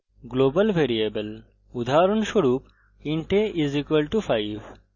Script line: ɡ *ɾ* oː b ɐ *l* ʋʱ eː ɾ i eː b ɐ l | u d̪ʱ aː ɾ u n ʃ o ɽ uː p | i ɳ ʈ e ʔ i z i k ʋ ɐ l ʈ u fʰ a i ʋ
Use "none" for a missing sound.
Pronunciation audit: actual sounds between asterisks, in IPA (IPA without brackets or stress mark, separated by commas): l, l